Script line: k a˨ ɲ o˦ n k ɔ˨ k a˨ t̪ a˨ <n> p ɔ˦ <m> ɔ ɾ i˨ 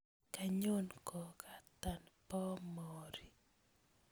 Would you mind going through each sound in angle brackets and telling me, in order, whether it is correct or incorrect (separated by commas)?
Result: correct, correct